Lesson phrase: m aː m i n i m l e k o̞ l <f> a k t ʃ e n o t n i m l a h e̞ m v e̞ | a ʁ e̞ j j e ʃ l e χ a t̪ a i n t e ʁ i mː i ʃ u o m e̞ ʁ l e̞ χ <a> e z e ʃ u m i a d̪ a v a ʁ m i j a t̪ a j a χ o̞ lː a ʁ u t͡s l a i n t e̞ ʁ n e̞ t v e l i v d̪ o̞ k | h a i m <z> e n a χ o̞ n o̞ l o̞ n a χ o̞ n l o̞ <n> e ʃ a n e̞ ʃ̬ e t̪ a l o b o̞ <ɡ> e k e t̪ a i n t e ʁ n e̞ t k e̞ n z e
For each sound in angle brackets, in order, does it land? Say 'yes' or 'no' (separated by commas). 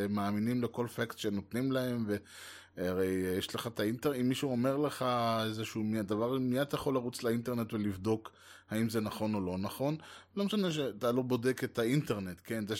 yes, yes, yes, no, no